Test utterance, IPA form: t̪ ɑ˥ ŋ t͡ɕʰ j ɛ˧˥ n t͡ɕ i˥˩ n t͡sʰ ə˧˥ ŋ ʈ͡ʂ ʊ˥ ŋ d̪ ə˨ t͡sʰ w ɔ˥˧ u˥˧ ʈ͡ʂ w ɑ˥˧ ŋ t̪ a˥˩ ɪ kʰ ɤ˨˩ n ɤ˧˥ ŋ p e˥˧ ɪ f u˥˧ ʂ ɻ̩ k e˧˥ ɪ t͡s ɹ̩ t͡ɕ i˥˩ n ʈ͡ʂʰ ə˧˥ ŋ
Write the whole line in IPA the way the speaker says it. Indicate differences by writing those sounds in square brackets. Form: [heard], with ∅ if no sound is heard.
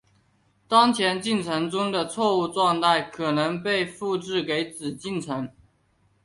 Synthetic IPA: t̪ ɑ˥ ŋ t͡ɕʰ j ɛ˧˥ n t͡ɕ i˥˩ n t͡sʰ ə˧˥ ŋ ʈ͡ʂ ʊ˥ ŋ d̪ ə˨ t͡sʰ w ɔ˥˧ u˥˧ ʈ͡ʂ w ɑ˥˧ ŋ t̪ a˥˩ ɪ kʰ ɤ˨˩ n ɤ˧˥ ŋ p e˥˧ ɪ f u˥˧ [ʈ͡ʂ] ɻ̩ k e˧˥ ɪ t͡s ɹ̩ t͡ɕ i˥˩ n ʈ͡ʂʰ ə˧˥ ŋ